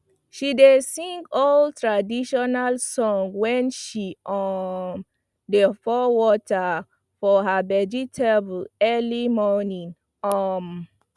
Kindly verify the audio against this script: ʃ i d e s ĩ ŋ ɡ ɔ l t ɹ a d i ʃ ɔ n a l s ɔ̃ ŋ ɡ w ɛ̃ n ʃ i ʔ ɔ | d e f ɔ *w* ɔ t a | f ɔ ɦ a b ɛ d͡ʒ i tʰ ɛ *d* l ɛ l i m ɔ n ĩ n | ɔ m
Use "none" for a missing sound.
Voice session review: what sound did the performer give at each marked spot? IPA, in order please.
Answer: w, b

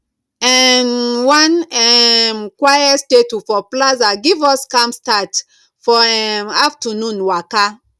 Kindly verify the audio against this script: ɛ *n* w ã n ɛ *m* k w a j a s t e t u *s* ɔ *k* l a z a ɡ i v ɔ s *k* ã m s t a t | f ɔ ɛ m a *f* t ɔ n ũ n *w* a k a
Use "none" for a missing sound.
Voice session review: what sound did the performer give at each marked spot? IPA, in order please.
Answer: n, m, f, p, k, f, w

